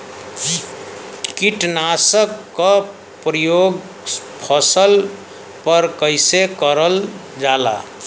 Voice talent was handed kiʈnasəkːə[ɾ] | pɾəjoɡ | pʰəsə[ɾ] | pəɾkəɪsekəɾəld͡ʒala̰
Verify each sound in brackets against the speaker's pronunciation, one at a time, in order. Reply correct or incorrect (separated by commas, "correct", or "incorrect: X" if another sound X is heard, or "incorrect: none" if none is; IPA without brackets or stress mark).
incorrect: none, incorrect: l